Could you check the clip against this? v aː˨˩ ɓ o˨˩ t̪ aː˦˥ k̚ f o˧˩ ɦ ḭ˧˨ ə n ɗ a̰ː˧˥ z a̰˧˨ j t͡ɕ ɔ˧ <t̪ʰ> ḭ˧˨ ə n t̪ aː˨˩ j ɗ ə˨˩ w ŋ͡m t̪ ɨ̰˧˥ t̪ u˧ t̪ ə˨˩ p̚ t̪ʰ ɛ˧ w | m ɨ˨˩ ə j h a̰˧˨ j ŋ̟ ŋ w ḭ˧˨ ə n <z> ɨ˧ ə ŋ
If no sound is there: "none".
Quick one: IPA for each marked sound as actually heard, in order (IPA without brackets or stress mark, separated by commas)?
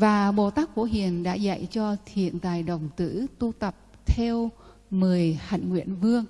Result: t̪ʰ, v